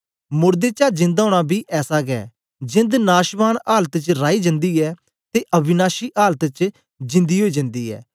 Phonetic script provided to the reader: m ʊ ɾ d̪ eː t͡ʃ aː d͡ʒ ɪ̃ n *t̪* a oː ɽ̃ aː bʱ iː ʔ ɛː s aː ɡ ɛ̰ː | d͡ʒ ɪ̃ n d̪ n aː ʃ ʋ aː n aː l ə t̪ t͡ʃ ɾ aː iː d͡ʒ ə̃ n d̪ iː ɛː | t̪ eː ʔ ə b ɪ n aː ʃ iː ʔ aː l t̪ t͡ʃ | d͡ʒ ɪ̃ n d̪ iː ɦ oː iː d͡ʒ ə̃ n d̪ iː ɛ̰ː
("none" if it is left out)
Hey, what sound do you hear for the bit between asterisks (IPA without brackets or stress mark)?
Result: d̪